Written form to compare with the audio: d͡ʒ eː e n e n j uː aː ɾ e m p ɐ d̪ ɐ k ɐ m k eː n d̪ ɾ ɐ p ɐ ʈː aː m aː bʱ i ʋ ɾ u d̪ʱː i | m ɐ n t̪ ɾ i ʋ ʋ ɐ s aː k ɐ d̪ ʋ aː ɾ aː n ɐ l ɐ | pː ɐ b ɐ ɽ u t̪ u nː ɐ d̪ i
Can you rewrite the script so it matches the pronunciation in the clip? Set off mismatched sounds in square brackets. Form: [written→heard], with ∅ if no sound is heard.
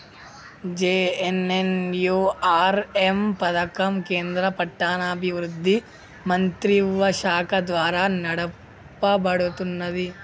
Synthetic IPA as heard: d͡ʒ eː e n e n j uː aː ɾ e m p ɐ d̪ ɐ k ɐ m k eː n d̪ ɾ ɐ p ɐ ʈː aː [m→n] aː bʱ i ʋ ɾ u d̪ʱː i | m ɐ n t̪ ɾ i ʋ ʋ ɐ [s→ʃ] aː k ɐ d̪ ʋ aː ɾ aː n ɐ [l→ɽ] ɐ | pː ɐ b ɐ ɽ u t̪ u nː ɐ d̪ i